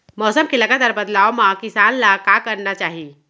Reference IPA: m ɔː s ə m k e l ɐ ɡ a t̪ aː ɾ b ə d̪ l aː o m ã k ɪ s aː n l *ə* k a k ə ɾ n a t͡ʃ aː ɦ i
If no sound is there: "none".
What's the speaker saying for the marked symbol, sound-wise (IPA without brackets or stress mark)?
a